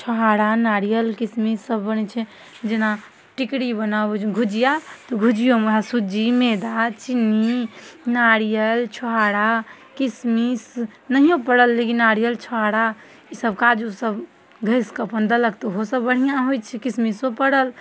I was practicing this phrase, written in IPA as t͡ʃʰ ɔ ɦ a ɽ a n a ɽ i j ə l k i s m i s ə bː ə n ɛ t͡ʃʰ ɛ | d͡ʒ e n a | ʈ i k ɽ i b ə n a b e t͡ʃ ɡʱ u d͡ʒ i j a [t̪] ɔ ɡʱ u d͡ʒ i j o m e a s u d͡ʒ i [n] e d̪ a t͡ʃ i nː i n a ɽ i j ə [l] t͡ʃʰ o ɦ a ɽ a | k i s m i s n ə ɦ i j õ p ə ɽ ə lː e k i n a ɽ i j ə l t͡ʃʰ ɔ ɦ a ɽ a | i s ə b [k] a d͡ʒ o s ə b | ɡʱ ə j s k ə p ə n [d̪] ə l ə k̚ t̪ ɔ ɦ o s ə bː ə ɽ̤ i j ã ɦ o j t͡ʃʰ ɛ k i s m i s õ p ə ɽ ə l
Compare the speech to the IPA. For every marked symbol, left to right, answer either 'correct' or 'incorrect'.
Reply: correct, incorrect, correct, correct, correct

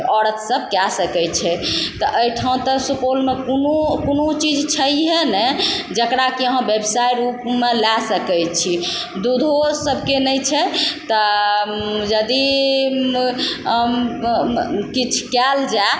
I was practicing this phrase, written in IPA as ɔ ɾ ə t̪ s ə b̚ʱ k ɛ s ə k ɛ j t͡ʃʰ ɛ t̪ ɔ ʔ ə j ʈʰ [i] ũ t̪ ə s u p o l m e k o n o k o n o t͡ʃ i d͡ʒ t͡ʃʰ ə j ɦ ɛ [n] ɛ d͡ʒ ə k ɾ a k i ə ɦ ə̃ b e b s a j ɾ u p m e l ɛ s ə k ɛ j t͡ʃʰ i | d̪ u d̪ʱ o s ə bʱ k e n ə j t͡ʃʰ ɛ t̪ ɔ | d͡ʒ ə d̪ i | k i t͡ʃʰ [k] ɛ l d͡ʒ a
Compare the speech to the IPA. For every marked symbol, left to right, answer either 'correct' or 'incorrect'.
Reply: incorrect, correct, correct

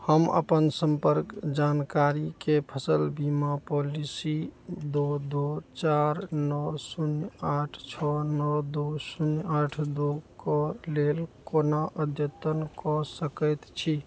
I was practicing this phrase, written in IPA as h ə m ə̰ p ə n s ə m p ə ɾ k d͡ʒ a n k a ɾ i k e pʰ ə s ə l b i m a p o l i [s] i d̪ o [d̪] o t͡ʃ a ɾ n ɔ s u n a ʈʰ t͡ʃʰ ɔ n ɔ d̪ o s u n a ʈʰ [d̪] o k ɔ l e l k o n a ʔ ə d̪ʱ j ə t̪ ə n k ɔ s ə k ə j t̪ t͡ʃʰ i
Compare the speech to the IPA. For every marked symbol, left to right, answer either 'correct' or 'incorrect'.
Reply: correct, correct, correct

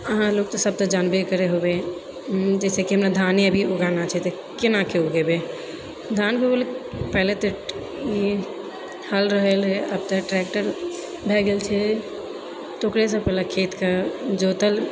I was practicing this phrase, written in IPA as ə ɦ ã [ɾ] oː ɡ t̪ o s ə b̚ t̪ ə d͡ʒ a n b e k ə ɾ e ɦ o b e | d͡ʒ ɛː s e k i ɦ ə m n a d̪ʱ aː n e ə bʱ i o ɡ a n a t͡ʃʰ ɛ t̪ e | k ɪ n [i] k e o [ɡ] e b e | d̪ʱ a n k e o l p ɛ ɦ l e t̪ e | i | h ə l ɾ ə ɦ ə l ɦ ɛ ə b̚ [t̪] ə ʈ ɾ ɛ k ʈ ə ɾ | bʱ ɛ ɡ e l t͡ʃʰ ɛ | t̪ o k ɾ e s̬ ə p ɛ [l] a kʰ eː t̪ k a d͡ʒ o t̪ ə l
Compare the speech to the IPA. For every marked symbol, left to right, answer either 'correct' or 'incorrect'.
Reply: incorrect, incorrect, correct, correct, correct

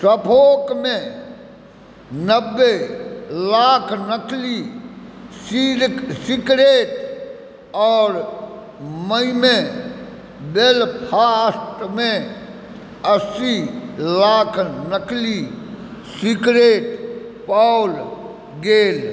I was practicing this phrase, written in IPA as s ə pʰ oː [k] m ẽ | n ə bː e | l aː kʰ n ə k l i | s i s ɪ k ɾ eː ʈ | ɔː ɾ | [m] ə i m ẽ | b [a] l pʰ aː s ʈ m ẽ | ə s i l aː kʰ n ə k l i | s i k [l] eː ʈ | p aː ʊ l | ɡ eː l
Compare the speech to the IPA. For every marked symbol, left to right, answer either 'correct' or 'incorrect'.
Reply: correct, correct, incorrect, incorrect

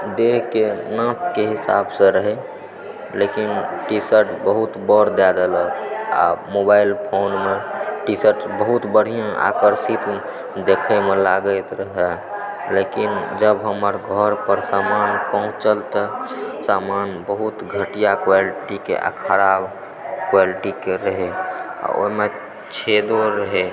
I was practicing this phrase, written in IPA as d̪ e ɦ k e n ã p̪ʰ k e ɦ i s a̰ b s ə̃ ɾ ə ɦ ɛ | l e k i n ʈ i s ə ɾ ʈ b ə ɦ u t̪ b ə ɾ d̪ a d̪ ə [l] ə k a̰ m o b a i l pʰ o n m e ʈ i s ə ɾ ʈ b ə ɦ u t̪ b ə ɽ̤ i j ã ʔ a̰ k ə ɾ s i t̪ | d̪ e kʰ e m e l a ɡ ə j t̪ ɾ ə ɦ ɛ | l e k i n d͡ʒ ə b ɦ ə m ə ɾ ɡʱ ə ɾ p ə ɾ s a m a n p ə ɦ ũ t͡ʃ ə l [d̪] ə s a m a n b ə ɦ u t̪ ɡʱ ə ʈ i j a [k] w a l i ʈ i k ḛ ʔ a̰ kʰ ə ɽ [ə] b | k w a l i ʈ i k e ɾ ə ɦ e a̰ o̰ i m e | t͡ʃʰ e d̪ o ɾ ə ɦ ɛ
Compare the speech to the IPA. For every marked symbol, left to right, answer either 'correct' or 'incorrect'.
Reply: correct, incorrect, correct, incorrect

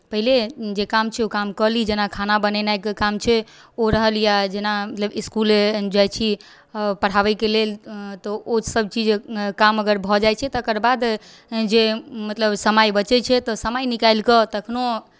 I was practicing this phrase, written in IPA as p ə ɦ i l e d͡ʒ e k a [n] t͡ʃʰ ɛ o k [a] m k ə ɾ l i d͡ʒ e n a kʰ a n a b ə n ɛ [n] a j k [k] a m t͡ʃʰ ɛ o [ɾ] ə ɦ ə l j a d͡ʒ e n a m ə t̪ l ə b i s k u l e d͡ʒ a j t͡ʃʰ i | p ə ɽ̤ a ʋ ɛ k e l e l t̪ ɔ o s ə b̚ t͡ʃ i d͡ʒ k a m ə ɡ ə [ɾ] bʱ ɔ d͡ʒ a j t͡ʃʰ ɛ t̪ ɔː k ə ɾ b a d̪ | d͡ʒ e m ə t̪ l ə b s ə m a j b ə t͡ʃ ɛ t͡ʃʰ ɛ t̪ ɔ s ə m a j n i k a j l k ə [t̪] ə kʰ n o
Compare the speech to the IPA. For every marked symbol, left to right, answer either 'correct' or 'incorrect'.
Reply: incorrect, correct, correct, correct, correct, correct, correct

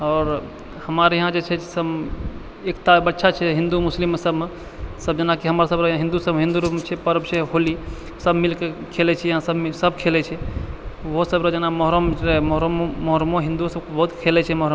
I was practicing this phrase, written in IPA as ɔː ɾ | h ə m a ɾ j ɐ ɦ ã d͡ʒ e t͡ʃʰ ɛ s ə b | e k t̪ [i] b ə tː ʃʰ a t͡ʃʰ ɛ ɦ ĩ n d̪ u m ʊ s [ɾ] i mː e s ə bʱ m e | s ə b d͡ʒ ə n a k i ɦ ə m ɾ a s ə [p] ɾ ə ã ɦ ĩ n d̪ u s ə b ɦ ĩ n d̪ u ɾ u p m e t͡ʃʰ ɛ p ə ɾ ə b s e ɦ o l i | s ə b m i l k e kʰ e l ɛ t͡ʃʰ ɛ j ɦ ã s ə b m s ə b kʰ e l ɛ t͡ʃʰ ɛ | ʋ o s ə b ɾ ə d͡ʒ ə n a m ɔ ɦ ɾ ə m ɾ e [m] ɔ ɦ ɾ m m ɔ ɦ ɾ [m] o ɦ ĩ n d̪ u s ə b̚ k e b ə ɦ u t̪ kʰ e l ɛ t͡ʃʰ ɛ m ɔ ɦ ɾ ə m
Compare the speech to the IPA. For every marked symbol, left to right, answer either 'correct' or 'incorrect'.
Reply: incorrect, incorrect, incorrect, correct, correct

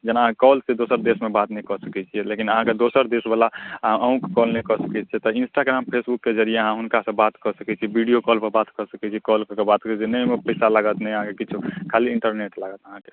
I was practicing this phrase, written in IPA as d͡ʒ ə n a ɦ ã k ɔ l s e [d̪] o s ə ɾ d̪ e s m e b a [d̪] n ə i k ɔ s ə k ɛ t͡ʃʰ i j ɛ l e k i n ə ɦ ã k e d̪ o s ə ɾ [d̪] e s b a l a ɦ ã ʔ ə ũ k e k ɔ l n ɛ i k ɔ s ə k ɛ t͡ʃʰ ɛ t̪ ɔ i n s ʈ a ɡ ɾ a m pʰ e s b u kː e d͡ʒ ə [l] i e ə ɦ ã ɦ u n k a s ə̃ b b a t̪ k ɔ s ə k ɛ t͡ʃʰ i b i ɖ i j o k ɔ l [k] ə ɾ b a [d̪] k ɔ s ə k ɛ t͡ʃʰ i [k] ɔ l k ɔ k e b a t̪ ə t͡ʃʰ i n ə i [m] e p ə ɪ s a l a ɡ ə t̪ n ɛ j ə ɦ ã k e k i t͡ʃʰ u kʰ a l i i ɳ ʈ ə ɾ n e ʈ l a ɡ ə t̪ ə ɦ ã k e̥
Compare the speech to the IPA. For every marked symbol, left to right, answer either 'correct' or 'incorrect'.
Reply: correct, incorrect, correct, incorrect, incorrect, incorrect, correct, correct

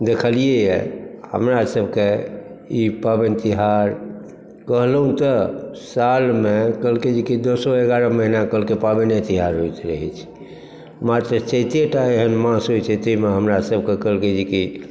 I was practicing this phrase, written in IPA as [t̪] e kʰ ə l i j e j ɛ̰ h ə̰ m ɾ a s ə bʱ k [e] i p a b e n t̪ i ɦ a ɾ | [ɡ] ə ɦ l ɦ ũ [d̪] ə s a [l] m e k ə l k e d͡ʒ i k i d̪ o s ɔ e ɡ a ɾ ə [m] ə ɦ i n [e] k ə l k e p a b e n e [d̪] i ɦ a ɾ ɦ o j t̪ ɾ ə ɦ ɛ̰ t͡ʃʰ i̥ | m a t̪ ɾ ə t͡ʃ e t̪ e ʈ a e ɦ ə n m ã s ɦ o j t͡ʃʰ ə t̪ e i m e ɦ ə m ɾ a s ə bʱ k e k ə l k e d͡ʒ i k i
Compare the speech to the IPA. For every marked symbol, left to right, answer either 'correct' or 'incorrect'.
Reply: incorrect, correct, incorrect, incorrect, correct, correct, incorrect, incorrect

